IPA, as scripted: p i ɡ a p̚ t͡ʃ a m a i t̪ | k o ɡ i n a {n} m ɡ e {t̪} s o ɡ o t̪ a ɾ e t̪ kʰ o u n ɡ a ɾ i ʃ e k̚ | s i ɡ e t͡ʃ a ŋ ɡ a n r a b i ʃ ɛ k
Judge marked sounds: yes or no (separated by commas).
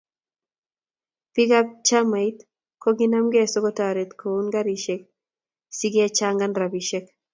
no, no